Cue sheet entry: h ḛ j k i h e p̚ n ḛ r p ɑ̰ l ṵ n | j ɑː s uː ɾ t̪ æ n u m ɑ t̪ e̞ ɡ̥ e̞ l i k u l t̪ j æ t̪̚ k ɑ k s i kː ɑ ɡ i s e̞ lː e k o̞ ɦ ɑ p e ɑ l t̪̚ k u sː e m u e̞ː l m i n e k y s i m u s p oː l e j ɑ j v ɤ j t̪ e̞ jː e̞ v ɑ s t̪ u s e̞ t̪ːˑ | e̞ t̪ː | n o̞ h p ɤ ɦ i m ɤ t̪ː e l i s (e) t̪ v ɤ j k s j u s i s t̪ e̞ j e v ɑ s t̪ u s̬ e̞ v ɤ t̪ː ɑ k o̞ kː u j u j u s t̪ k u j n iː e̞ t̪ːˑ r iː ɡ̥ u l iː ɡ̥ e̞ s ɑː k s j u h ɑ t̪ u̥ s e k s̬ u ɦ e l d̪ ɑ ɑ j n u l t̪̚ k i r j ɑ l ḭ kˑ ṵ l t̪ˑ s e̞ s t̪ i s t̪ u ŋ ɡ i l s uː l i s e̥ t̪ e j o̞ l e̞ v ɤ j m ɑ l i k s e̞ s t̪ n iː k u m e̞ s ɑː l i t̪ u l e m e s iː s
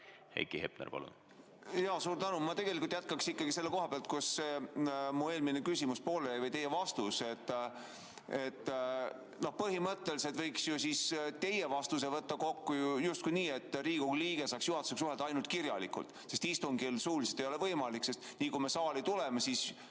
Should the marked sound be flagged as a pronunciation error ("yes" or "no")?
no